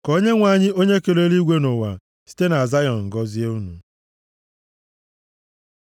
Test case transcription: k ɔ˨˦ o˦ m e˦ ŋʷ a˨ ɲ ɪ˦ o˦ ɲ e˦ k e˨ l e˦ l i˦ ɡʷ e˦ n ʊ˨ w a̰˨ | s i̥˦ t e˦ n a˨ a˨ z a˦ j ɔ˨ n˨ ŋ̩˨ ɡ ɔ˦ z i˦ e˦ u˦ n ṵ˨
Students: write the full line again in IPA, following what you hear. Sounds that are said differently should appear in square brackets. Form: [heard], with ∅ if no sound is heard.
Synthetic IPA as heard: k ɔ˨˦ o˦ [ɲ] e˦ ŋʷ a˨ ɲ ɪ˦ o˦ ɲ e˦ k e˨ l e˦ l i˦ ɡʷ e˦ n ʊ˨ w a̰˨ | s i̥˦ t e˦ n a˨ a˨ z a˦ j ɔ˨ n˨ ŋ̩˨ ɡ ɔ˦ z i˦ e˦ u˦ n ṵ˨